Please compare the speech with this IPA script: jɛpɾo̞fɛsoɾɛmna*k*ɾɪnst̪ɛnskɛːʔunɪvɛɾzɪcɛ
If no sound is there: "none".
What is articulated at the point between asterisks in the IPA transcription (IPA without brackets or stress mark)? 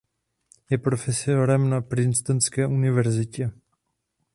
p